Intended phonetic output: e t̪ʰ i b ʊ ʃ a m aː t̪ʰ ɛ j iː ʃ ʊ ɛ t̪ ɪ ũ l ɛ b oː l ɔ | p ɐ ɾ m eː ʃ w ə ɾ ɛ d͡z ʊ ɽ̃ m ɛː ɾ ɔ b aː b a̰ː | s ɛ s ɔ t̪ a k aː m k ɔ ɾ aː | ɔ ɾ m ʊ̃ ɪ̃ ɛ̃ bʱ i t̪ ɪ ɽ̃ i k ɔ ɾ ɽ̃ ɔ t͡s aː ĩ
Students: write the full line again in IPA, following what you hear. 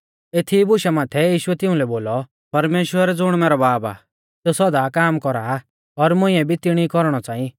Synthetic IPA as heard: e t̪ʰ i b ʊ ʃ a m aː t̪ʰ ɛ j iː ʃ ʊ ɛ t̪ ɪ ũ l ɛ b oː l ɔ | p ɐ ɾ m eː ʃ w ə ɾ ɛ d͡z ʊ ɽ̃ m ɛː ɾ ɔ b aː b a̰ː | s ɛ s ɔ d̪ a k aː m k ɔ ɾ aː | ɔ ɾ m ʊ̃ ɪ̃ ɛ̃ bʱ i t̪ ɪ ɽ̃ i k ɔ ɾ ɽ̃ ɔ t͡s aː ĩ